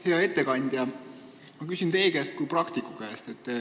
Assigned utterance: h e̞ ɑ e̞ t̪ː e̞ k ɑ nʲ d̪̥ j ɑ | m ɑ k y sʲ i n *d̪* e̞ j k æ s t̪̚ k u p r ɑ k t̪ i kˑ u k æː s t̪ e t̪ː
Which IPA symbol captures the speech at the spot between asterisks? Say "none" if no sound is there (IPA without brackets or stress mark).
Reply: t̪